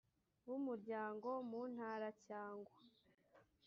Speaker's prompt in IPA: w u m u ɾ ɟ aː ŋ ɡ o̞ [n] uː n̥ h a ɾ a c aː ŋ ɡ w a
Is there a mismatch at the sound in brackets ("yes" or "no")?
yes